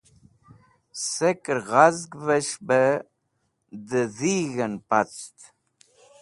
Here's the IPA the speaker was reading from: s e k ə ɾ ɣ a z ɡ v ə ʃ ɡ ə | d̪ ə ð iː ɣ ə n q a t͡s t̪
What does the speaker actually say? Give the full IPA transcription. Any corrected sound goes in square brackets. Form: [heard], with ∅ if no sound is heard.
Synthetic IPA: s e k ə ɾ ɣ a z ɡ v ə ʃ [b] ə | d̪ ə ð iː ɣ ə n [p] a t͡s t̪